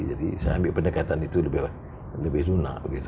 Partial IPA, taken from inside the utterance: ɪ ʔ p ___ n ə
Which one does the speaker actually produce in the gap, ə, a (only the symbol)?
ə